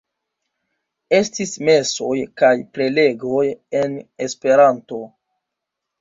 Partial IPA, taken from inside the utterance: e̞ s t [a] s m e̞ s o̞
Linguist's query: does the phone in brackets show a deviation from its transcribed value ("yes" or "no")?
yes